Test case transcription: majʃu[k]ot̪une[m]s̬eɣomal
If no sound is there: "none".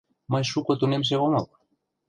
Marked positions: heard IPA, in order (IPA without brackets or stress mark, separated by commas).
k, m